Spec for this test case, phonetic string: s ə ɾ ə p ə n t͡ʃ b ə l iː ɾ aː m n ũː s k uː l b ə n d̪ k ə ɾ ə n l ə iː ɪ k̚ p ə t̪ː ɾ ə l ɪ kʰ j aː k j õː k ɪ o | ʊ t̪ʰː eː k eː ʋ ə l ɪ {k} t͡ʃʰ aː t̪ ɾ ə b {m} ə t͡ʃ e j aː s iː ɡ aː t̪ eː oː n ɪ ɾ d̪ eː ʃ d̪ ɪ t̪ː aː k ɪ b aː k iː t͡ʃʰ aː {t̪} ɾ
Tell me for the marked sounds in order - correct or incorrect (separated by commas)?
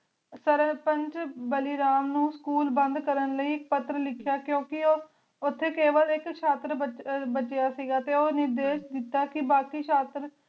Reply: correct, incorrect, correct